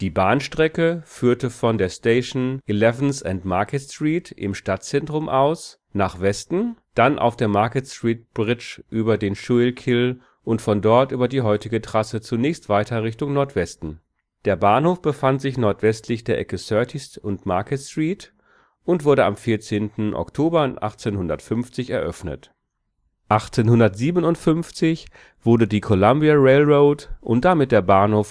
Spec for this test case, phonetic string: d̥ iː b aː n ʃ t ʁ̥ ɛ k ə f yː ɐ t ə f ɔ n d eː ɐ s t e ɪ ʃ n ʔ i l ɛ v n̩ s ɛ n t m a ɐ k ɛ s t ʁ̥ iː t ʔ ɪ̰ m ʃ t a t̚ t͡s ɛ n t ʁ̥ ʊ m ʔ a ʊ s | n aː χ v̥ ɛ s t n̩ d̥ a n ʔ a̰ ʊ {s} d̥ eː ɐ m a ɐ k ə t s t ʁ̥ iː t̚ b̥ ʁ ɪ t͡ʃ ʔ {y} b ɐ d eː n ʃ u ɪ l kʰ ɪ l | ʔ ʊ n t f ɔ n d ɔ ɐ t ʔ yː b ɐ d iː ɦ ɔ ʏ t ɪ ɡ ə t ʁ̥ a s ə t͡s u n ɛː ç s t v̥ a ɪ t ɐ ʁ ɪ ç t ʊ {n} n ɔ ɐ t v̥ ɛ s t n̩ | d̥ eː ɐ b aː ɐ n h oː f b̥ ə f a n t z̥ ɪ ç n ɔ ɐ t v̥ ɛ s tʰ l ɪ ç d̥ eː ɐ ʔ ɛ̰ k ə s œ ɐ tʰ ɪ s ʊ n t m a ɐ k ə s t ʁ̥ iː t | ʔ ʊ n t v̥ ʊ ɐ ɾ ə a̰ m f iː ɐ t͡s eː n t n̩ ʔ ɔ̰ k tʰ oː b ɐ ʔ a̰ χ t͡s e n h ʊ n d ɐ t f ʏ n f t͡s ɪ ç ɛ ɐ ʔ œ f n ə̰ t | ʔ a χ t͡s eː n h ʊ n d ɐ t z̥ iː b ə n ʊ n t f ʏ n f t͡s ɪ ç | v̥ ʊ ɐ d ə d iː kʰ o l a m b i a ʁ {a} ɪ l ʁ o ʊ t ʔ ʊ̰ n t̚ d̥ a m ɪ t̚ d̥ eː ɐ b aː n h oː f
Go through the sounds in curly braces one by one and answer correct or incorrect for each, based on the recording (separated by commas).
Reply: incorrect, incorrect, incorrect, incorrect